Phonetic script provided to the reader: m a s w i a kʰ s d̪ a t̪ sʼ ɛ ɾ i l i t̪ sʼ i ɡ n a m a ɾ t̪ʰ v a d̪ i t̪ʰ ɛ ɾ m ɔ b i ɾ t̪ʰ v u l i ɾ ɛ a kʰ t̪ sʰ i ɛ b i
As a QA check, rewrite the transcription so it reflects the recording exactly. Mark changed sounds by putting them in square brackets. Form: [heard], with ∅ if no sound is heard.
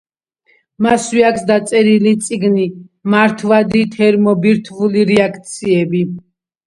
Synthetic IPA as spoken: m a s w i a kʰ s d̪ a t̪ sʼ ɛ ɾ i l i t̪ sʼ i ɡ n [i] m a ɾ t̪ʰ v a d̪ i t̪ʰ ɛ ɾ m ɔ b i ɾ t̪ʰ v u l i ɾ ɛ a kʰ t̪ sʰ i ɛ b i